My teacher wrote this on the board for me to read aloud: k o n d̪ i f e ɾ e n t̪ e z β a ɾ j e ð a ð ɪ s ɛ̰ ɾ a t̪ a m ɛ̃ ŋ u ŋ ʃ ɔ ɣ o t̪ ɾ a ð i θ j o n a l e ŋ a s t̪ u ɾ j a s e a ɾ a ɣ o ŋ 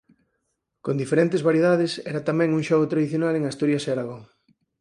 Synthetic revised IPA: k o n d̪ i f e ɾ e n t̪ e z β a ɾ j e ð a ð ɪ s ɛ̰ ɾ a t̪ a m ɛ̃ ŋ u ŋ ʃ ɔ ɣ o t̪ ɾ a ð i θ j o n a l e ŋ a s t̪ u ɾ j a s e a ɾ a ɣ o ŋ